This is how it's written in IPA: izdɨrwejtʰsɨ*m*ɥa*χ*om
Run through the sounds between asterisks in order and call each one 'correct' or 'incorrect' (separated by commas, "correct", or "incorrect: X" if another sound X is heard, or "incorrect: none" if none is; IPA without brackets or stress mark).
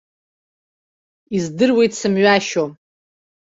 correct, incorrect: ʃ